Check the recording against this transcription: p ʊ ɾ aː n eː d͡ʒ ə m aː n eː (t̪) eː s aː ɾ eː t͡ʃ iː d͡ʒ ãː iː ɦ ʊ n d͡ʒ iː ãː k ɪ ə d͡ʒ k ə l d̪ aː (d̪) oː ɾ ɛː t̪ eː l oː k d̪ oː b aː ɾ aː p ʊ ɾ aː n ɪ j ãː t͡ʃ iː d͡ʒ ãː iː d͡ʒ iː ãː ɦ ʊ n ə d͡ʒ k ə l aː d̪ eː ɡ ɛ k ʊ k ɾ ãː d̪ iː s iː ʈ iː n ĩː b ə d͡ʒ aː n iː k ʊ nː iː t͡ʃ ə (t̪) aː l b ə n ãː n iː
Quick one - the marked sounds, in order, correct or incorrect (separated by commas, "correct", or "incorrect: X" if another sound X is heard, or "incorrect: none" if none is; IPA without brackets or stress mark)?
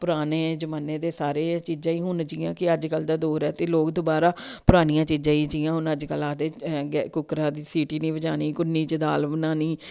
incorrect: d̪, correct, incorrect: d̪